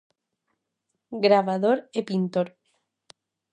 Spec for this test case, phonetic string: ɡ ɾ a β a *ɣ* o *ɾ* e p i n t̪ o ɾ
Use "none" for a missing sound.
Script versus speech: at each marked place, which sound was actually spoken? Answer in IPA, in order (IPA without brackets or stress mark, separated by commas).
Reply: ð, ɾ